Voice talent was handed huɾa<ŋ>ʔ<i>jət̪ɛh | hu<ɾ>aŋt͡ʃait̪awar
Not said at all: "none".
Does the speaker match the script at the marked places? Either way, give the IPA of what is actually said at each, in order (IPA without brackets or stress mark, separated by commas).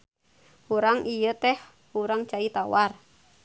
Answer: ŋ, i, ɾ